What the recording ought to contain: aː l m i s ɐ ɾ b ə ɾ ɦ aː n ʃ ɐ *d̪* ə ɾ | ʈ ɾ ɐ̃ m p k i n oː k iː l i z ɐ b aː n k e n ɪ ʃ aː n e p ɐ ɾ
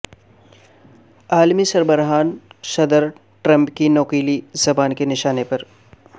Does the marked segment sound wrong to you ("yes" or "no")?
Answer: no